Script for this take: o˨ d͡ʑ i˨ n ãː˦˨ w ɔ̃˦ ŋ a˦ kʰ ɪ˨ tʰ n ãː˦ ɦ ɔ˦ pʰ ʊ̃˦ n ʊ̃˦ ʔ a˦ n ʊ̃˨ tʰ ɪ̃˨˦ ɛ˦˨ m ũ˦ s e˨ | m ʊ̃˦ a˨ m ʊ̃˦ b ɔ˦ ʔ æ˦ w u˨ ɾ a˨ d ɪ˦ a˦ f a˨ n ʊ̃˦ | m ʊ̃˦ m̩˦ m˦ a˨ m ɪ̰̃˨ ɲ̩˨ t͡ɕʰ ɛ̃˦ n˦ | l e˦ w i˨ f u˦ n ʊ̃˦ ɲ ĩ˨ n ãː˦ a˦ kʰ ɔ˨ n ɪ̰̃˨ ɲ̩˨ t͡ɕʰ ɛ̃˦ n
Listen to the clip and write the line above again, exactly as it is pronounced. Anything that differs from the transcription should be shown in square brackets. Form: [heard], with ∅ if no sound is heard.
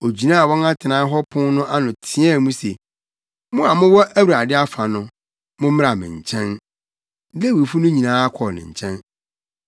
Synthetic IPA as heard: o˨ d͡ʑ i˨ n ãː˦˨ w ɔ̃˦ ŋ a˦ [tʰ] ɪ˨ [∅] n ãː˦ ɦ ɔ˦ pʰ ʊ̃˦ n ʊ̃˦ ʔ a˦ n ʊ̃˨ tʰ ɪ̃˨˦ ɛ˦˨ m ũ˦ s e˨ | m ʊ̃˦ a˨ m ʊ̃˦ [w] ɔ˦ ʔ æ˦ w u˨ ɾ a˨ d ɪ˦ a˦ f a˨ n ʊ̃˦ | m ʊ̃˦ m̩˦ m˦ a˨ m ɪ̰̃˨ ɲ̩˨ t͡ɕʰ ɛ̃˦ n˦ | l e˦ w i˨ f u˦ n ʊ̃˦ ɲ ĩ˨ n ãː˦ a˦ kʰ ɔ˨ n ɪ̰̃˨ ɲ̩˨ t͡ɕʰ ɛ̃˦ n